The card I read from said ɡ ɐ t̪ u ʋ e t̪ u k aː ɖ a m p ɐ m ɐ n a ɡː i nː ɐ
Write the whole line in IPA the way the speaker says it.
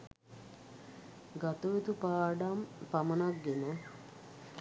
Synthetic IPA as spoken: ɡ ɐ t̪ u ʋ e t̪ u p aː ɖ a m p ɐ m ɐ n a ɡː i n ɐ